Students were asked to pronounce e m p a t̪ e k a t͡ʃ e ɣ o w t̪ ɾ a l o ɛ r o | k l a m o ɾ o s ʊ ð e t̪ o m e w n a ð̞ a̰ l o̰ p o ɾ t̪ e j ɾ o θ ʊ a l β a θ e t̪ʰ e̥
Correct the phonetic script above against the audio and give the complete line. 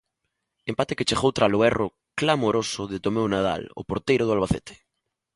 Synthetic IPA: e m p a t̪ e k e t͡ʃ e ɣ o w t̪ ɾ a l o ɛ r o | k l a m o ɾ o s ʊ ð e t̪ o m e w n a ð̞ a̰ l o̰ p o ɾ t̪ e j ɾ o ð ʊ a l β a θ e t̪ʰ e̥